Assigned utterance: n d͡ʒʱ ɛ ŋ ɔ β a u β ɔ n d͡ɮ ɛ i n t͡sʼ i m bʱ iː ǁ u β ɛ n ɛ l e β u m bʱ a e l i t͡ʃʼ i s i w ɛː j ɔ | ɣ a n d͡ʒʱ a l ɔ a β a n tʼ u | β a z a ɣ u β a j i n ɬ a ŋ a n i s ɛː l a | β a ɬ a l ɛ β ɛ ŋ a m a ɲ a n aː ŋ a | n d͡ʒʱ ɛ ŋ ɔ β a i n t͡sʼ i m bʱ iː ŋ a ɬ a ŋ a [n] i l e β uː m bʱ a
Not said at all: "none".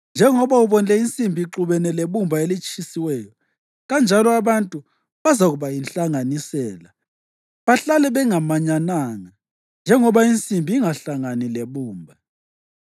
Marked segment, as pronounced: n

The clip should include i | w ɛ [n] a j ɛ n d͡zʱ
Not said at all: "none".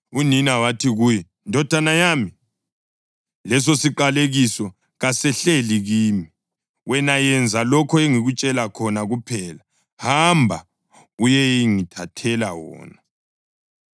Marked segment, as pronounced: n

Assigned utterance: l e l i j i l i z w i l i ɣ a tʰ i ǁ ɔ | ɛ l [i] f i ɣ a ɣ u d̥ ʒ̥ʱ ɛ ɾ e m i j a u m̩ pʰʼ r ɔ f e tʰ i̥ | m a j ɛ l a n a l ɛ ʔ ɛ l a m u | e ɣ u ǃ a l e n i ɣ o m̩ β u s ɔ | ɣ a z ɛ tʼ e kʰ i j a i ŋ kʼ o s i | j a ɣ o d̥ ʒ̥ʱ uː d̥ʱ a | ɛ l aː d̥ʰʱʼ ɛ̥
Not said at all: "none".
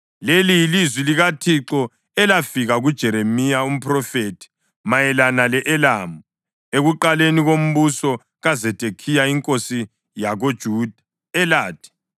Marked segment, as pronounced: a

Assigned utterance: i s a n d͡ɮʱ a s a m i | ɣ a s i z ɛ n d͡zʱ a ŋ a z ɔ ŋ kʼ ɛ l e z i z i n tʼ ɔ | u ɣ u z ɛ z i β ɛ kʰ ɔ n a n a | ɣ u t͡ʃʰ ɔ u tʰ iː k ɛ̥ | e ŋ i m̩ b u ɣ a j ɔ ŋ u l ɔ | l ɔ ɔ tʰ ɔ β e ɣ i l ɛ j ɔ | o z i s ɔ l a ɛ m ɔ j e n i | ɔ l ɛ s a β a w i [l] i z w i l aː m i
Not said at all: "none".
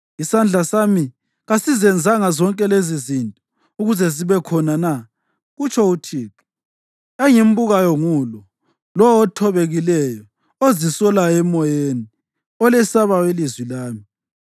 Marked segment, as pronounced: l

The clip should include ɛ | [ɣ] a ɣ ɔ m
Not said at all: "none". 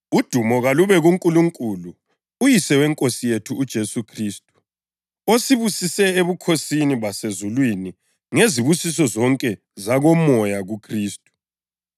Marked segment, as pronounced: z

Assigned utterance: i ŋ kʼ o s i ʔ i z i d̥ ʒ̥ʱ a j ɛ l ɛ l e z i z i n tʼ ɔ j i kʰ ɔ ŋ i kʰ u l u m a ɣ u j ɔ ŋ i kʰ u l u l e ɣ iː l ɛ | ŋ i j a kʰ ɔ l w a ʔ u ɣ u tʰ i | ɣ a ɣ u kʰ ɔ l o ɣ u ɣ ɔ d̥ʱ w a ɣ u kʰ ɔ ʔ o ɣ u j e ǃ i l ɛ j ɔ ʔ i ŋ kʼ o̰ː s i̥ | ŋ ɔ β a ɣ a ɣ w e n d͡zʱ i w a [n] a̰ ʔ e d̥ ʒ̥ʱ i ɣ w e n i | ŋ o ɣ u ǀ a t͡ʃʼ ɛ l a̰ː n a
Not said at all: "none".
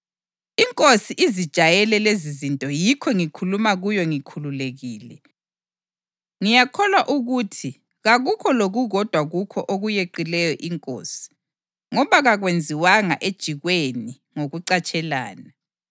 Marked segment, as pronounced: ŋ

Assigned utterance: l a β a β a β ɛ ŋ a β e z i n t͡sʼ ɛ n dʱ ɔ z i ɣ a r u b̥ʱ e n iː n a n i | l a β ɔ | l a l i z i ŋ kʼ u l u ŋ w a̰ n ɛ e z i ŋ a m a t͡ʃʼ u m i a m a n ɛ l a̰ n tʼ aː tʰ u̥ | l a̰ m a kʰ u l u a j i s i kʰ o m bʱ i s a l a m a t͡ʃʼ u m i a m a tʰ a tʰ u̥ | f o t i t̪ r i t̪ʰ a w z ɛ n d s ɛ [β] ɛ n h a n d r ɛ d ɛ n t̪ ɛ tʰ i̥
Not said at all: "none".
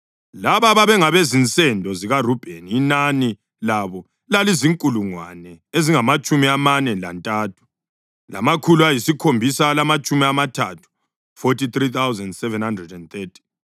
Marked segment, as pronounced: v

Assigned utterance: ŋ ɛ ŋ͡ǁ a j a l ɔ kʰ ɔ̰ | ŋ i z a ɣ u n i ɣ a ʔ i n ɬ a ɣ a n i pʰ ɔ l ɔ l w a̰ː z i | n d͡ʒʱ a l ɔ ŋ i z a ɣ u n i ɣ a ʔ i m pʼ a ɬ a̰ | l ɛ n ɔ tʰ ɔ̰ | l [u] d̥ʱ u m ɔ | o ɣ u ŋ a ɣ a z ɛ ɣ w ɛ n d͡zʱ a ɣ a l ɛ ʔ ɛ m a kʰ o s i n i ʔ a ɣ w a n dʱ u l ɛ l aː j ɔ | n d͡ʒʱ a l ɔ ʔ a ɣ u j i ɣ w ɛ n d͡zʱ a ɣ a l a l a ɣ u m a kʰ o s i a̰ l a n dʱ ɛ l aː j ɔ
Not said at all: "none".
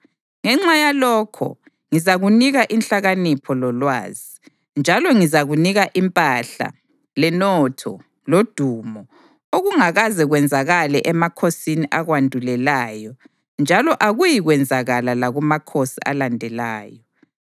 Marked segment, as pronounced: o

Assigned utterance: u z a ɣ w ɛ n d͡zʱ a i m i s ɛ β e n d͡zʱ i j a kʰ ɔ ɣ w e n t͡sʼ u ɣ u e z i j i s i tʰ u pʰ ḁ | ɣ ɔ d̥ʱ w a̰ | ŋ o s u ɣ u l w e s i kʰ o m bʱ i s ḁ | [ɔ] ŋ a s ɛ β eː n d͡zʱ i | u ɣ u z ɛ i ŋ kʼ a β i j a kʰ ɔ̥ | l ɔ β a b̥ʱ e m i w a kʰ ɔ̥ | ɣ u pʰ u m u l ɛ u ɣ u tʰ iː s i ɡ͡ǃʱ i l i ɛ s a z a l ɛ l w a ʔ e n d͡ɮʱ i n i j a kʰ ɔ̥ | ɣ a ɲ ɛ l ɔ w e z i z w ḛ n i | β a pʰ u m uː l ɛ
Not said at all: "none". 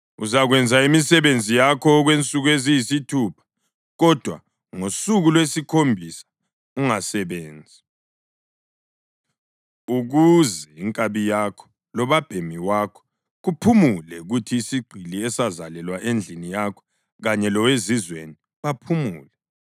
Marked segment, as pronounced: u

